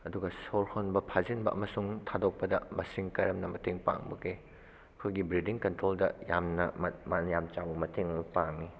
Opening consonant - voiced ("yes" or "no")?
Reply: yes